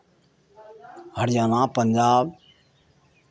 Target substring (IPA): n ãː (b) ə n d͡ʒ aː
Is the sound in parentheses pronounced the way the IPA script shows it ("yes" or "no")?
no